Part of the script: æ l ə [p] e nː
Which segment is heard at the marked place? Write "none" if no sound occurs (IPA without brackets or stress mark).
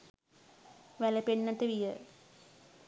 p